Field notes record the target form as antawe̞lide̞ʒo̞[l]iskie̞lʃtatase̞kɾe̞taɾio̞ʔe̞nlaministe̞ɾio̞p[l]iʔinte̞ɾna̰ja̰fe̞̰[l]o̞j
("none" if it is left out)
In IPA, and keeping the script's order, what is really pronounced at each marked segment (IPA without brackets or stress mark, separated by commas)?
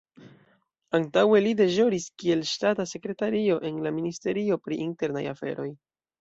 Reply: ɾ, ɾ, ɾ